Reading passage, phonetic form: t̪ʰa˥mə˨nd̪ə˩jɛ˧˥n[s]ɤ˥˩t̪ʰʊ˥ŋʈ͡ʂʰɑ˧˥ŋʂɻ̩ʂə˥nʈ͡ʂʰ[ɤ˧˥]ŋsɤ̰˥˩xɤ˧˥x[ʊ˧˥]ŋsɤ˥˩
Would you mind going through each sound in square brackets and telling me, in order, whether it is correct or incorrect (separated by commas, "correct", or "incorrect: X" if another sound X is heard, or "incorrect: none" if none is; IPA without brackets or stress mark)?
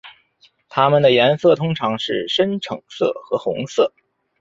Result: correct, incorrect: ɤ˨˩, correct